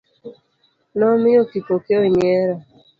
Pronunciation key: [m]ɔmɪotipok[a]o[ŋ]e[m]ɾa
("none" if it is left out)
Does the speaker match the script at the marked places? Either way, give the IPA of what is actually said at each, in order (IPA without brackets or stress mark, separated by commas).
n, e, ɲ, none